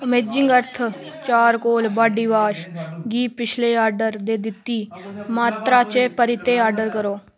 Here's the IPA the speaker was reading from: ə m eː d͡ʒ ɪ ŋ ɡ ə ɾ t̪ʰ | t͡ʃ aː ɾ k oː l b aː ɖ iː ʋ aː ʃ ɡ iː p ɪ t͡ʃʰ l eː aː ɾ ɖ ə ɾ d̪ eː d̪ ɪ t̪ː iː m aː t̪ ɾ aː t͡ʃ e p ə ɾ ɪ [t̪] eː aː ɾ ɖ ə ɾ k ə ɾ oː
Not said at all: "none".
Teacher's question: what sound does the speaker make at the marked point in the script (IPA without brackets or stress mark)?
t̪